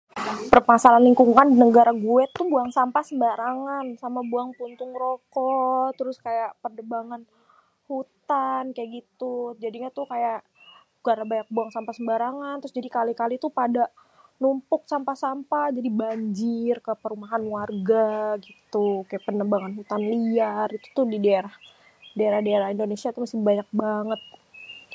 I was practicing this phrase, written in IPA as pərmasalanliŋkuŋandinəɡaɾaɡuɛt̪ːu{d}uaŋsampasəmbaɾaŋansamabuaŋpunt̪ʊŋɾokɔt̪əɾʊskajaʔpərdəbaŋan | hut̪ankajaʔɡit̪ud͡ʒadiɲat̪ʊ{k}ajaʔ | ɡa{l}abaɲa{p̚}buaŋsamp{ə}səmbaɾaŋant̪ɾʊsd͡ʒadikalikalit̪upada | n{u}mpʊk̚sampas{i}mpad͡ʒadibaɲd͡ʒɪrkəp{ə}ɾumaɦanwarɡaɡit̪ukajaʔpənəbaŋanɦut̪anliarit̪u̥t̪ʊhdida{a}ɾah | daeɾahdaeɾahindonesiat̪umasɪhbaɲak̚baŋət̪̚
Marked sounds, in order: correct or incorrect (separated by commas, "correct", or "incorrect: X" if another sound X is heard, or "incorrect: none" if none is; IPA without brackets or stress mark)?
incorrect: b, correct, incorrect: ɾ, incorrect: k̚, incorrect: a, correct, incorrect: a, correct, incorrect: e